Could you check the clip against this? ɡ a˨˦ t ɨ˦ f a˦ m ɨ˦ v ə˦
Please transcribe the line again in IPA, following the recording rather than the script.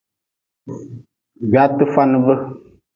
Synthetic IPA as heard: ɡ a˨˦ t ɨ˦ f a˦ n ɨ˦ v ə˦